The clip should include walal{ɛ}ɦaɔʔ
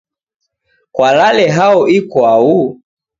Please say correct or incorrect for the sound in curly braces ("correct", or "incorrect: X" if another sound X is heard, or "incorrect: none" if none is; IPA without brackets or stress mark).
correct